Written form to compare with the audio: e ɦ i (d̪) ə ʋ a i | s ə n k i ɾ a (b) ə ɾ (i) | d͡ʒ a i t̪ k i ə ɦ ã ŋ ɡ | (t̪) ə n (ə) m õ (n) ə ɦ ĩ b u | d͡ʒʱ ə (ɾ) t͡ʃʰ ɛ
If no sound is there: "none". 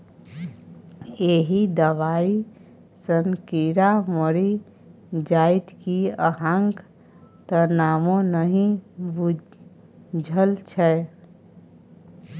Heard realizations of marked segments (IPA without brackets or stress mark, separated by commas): d̪, m, i, t̪, a, n, l